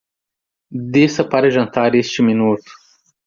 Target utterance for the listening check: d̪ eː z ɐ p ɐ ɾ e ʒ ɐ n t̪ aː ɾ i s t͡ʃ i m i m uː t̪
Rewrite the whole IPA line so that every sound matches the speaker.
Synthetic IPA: d̪ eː s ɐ p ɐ ɾ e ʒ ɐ n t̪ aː ɾ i s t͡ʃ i m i n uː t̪